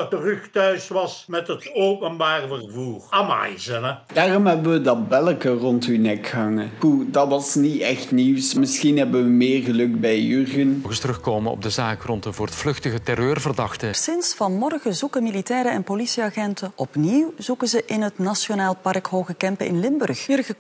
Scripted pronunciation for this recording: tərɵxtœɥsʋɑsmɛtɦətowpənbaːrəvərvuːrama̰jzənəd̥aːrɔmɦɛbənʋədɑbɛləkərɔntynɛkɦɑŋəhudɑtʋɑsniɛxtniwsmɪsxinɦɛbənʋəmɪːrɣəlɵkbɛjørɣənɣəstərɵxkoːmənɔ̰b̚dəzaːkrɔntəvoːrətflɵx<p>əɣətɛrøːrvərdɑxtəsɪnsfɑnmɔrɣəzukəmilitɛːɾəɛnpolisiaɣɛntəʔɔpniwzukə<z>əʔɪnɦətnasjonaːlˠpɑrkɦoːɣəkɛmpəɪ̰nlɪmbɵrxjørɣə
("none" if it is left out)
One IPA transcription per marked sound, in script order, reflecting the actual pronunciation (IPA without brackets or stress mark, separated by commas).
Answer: t, z